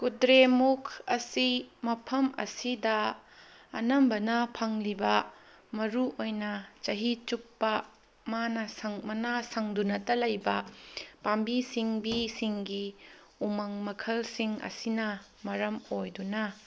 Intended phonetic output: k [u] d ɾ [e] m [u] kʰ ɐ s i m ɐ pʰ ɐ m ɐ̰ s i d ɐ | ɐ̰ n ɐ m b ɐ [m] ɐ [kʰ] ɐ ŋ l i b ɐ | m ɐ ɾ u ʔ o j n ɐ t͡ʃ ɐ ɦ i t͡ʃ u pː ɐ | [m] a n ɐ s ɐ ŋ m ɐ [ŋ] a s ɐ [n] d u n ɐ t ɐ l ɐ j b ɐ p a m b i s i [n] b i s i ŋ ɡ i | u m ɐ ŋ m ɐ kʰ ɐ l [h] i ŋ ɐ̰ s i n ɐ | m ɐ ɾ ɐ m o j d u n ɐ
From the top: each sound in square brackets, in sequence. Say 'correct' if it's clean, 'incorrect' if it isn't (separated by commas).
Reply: correct, correct, correct, incorrect, incorrect, correct, incorrect, incorrect, incorrect, incorrect